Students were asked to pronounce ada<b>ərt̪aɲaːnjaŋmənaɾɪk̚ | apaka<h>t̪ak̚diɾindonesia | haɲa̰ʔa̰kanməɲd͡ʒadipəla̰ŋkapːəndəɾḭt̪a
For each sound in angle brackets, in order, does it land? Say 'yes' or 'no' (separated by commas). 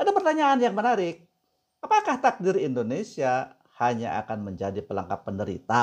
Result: no, yes